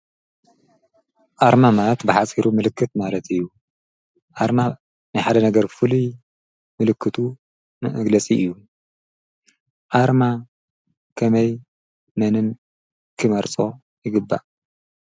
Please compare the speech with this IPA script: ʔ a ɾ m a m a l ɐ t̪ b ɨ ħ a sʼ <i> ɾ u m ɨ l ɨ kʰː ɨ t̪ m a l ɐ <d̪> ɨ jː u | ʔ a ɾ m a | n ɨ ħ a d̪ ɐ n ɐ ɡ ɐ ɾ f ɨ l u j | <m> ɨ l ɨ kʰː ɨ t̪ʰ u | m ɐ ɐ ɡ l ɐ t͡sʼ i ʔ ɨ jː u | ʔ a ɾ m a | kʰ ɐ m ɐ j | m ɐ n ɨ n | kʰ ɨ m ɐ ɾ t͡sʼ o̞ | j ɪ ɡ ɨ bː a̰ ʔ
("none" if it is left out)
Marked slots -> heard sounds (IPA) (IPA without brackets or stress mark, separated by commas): i, t̪, m